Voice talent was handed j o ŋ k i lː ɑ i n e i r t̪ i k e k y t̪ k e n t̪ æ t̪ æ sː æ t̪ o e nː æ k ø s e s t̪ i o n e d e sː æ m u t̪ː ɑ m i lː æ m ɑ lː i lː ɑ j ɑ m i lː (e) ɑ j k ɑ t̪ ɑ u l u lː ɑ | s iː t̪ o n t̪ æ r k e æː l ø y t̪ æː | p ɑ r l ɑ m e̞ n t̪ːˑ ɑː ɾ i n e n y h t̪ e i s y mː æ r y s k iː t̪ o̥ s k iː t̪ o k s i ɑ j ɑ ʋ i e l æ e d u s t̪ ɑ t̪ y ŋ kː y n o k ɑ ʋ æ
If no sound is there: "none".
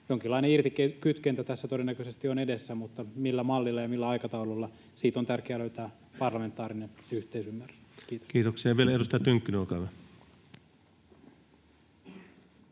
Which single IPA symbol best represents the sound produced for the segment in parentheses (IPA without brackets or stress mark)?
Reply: æ